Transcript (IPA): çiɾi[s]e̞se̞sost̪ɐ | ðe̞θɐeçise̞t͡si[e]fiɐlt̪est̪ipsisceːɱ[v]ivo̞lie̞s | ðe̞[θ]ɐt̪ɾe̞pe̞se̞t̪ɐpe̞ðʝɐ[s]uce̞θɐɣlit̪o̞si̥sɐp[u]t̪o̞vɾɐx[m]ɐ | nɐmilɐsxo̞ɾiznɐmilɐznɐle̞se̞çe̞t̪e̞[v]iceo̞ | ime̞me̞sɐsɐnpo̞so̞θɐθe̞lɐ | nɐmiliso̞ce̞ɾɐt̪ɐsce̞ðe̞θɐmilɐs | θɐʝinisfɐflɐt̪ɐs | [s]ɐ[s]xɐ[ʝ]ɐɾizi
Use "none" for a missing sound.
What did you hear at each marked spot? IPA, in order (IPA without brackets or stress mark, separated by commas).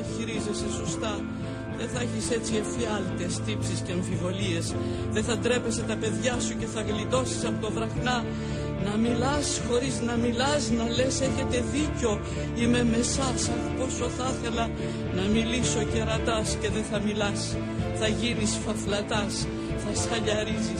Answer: z, e, f, θ, s, o, n, ð, θ, s, ʎ